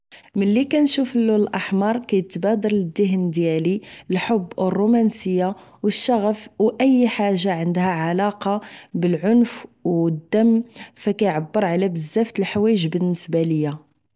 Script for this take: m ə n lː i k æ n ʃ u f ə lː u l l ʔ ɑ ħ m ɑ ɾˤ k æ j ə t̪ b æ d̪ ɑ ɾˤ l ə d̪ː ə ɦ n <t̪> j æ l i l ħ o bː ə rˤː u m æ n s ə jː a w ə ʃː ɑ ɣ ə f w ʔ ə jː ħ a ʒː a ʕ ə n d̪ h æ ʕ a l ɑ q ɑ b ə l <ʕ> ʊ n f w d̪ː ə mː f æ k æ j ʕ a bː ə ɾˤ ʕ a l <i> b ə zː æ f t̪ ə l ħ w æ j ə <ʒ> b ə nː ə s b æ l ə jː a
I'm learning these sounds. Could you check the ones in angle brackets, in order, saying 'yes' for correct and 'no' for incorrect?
no, yes, no, yes

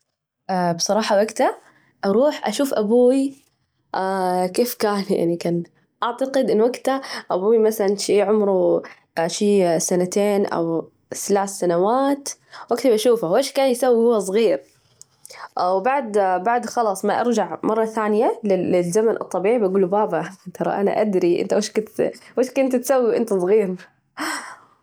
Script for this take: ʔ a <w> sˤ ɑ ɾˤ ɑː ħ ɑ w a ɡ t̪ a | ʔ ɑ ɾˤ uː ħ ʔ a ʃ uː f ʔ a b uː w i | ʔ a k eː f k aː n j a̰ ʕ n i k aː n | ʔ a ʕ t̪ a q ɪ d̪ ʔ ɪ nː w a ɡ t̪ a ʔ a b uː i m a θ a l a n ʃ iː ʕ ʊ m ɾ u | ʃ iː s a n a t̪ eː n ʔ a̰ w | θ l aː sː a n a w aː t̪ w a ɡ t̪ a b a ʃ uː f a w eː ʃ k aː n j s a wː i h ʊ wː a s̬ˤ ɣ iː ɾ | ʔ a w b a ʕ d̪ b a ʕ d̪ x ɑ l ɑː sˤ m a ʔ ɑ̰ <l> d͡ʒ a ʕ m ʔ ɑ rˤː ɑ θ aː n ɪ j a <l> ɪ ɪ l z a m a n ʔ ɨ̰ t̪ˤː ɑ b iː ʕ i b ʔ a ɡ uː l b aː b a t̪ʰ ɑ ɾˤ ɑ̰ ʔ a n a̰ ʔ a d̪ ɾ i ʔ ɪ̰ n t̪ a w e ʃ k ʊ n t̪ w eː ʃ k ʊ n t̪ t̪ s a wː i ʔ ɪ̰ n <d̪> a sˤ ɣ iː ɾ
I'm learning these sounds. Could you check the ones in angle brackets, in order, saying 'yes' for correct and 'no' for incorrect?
no, no, yes, no

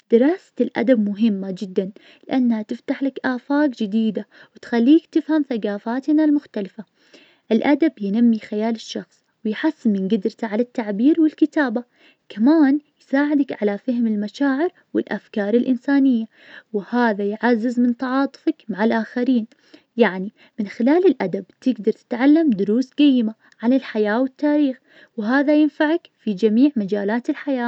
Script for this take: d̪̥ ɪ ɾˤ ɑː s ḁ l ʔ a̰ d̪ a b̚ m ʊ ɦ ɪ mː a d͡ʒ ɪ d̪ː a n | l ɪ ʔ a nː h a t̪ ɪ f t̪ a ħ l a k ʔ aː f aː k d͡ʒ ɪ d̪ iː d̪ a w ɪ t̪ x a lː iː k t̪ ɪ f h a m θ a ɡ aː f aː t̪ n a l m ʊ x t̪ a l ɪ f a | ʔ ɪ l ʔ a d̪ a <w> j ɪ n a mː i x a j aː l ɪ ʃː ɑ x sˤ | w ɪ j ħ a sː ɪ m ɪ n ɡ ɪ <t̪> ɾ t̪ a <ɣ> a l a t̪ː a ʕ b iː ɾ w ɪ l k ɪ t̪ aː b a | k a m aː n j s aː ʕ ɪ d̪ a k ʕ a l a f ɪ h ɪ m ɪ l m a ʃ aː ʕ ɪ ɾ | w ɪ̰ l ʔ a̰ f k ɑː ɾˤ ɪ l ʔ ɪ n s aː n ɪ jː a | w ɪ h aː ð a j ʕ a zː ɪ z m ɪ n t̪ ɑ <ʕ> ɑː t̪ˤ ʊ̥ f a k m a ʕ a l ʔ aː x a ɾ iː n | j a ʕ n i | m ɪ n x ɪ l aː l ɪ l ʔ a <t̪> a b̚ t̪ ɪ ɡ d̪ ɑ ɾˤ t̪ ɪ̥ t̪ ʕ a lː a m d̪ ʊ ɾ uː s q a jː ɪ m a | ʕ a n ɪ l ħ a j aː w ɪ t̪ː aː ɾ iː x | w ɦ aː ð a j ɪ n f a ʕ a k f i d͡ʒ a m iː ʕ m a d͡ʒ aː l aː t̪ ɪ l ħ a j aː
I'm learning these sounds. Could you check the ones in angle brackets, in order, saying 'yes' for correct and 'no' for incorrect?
no, no, no, yes, no

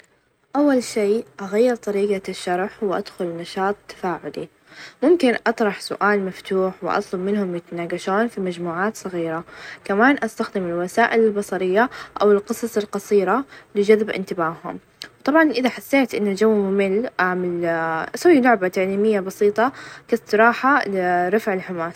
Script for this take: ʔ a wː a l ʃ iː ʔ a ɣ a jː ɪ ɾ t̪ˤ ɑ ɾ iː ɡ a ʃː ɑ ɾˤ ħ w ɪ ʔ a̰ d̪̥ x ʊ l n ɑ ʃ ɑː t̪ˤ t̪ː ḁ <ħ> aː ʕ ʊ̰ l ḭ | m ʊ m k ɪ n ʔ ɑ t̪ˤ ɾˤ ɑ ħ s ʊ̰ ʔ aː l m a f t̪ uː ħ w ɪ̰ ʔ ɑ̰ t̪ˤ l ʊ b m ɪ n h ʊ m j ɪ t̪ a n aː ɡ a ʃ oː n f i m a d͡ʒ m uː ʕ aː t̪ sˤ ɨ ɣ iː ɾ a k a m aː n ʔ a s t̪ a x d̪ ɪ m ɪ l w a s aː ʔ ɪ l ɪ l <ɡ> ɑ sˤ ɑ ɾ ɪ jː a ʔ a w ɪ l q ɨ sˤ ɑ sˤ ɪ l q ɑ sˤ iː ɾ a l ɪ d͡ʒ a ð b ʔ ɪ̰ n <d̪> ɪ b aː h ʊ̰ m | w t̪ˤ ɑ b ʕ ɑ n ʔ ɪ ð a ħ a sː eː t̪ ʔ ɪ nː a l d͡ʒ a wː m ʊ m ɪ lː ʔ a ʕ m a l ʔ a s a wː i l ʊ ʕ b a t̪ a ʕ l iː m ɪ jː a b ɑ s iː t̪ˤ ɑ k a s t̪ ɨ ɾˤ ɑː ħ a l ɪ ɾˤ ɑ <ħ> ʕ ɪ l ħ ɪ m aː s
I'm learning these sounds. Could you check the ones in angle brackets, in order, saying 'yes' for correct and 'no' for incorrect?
no, no, no, no

